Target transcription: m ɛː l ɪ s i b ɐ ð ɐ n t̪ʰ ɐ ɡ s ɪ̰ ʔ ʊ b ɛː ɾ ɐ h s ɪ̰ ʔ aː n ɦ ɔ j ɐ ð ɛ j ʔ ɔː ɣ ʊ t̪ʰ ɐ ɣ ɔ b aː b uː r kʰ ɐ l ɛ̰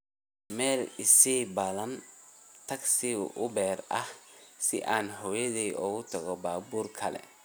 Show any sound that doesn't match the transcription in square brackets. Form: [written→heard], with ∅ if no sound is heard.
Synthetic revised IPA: m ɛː l ɪ s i b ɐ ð ɐ n t̪ʰ ɐ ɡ s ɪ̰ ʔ ʊ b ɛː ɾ ɐ h s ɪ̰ ʔ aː n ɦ ɔ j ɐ ð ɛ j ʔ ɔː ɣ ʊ t̪ʰ ɐ ɣ ɔ b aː b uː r kʰ ɐ l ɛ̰